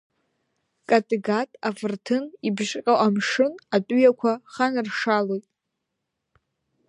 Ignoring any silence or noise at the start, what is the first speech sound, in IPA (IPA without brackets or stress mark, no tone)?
kʼ